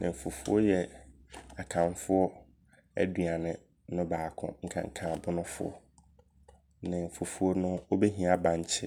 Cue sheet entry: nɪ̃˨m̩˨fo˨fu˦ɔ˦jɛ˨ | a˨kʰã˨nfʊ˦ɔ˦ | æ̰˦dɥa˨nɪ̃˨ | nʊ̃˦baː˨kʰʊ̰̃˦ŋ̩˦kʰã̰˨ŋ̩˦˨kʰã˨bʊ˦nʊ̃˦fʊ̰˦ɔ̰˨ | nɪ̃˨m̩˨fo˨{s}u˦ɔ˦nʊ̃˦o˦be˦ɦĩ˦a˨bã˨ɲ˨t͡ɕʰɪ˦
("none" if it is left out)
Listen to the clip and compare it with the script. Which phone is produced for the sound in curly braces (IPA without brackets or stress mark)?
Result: f